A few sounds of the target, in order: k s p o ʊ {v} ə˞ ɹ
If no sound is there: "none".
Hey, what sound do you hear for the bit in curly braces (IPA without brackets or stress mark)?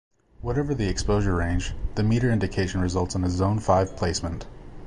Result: ʒ